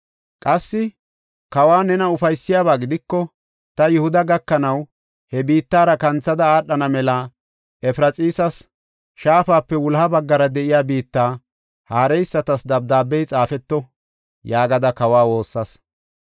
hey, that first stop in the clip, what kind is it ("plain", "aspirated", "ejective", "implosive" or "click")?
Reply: ejective